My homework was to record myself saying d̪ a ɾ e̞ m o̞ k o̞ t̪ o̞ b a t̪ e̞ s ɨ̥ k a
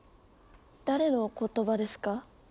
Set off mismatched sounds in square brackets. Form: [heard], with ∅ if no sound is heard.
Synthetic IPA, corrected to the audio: d̪ a ɾ e̞ [n] o̞ k o̞ t̪ o̞ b a [d̪] e̞ s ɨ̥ k a